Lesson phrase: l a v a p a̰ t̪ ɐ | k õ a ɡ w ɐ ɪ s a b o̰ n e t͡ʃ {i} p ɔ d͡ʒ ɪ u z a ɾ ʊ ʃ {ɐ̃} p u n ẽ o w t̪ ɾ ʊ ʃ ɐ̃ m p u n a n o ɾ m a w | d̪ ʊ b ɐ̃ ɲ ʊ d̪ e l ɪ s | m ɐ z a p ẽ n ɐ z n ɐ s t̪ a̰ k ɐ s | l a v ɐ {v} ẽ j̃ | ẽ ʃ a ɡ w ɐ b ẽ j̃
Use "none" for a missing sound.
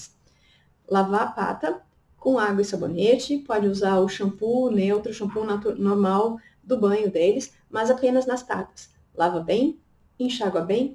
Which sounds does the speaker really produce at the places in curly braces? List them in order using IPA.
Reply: ɪ, ɐ̃, b

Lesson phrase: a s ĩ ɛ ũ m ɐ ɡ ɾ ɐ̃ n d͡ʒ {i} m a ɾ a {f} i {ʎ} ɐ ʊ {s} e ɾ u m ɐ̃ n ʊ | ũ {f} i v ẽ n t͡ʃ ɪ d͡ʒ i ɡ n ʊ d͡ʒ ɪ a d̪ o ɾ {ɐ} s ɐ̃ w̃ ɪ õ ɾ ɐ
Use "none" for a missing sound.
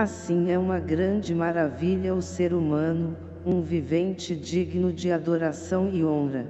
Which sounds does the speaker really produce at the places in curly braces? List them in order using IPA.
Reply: ɪ, v, ʎ, s, v, a

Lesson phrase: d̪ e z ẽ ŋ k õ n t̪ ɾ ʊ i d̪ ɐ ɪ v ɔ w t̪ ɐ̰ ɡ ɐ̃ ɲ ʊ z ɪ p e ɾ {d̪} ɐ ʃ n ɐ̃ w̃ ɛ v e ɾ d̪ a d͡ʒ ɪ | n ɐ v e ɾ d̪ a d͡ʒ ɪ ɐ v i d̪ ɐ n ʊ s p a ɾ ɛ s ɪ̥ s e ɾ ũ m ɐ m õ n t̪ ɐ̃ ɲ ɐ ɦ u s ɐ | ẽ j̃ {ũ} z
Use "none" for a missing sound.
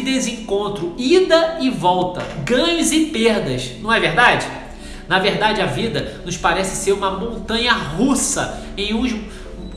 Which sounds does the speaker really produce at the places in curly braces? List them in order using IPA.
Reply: d̪, ũ

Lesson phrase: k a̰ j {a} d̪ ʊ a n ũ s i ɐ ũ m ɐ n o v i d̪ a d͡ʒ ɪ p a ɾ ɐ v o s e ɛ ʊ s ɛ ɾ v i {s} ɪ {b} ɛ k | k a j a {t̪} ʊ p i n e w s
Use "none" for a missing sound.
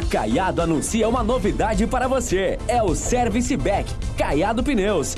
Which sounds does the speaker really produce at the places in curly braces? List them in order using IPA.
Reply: a, s, b, d̪

